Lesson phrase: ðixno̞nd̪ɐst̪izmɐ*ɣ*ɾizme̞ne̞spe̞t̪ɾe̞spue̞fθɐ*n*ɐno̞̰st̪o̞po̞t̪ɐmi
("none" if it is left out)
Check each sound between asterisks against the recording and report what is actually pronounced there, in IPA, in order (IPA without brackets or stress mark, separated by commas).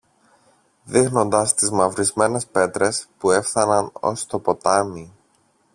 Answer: v, n